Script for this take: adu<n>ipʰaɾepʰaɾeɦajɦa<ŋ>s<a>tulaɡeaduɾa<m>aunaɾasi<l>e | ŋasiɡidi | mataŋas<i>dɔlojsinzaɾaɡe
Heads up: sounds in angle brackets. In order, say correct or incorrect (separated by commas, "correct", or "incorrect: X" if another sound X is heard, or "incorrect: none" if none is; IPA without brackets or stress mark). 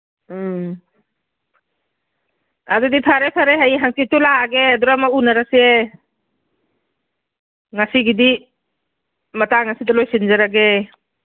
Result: incorrect: d, correct, incorrect: i, correct, incorrect: none, correct